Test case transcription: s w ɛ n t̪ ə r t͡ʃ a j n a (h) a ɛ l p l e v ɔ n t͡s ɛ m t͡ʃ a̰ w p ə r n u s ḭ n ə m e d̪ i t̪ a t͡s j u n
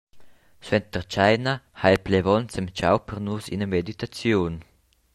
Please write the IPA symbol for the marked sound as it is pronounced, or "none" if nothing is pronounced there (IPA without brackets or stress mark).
h